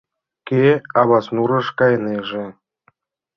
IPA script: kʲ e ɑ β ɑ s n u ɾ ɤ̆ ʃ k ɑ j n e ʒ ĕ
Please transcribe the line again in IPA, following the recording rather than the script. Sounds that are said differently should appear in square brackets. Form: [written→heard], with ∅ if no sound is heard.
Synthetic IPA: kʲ e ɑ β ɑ s n u ɾ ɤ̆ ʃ k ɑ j n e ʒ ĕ